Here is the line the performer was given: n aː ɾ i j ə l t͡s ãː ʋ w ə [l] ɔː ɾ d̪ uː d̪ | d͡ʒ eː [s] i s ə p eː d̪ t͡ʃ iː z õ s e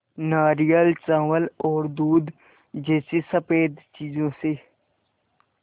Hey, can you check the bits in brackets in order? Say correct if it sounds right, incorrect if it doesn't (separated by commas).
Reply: correct, correct